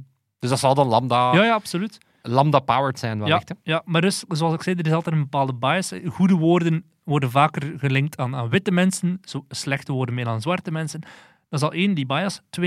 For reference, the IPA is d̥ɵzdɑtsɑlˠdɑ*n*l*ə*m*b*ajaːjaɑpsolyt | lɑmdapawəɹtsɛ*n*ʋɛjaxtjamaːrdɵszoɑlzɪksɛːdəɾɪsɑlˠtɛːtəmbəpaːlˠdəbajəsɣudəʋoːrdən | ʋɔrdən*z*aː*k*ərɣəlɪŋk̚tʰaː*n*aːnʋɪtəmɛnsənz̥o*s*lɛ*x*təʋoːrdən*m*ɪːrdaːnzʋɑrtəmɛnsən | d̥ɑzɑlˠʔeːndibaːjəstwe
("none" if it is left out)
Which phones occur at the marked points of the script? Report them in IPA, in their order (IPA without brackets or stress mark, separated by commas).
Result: n, ɑ, d, n, v, k, n, s, x, m